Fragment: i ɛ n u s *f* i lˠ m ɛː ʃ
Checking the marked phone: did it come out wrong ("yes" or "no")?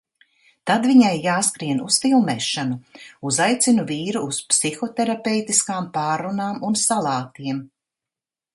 no